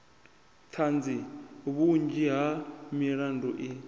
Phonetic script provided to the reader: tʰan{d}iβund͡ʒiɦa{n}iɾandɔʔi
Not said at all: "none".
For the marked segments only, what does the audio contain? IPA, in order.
d͡z, m

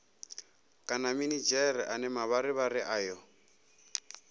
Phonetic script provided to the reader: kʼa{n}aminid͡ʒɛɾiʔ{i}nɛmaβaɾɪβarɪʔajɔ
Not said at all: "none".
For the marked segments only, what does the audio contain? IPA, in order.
n, a

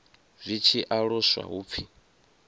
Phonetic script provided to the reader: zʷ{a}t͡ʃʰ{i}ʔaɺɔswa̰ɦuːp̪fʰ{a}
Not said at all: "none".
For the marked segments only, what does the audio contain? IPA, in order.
i, i, i

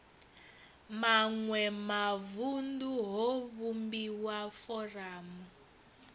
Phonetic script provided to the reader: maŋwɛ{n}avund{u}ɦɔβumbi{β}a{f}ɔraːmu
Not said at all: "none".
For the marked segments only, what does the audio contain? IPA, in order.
m, u, w, f

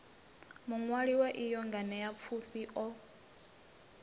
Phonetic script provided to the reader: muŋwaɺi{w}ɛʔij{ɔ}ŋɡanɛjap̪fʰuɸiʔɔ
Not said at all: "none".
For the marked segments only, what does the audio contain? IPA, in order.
w, ɔ

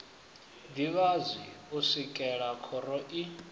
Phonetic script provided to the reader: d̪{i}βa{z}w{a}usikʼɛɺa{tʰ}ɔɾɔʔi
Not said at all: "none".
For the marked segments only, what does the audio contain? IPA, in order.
i, z, i, kʰ

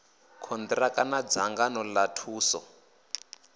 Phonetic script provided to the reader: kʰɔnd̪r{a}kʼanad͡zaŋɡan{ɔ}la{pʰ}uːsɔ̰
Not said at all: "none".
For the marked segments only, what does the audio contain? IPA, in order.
a, ɔ, tʰ

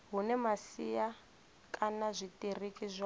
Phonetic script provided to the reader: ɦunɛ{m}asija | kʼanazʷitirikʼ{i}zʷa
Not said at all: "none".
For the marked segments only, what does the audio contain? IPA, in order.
m, i

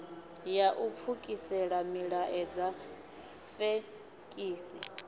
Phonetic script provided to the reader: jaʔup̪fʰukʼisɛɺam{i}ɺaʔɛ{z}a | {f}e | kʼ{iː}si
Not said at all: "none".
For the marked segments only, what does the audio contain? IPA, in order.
i, d͡z, f, iː

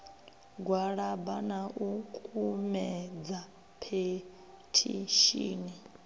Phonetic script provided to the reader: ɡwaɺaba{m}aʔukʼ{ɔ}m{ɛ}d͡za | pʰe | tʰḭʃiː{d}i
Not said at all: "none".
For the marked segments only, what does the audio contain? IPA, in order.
n, u, ɛ, n

